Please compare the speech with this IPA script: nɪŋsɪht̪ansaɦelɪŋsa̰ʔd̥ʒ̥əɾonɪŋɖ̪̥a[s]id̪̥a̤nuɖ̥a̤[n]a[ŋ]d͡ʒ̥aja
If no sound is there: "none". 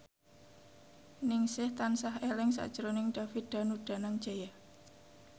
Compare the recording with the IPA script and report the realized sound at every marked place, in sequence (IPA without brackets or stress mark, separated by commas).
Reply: f, n, ŋ